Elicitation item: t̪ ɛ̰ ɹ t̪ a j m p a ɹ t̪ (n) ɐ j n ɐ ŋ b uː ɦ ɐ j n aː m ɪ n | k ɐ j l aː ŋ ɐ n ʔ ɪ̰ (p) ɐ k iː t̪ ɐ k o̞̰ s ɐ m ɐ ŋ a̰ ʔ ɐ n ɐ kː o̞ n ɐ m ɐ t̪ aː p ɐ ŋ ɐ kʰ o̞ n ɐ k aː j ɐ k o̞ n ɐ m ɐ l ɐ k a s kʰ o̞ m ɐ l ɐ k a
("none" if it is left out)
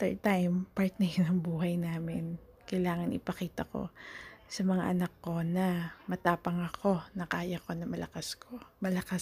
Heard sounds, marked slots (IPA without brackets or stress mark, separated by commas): n, p